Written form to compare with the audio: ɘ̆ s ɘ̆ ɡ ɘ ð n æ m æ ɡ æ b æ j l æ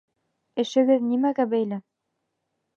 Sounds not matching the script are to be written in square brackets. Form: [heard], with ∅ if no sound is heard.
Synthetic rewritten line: ɘ̆ [ʃ] ɘ̆ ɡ ɘ ð n [i] m æ ɡ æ b æ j l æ